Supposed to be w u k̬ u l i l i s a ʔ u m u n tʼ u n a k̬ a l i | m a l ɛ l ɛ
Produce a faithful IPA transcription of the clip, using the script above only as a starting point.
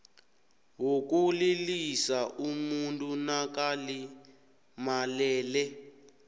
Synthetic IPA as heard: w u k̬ u l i l i s a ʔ u m u n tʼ u n a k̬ a l i | m a l ɛː l ɛ